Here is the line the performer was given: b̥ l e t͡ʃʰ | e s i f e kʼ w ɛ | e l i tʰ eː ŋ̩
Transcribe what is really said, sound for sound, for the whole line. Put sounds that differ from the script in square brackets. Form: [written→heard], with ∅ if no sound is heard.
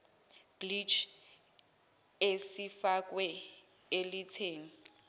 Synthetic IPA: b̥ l [e→i] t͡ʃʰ | e s i f [e→a] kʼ w ɛ | e l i tʰ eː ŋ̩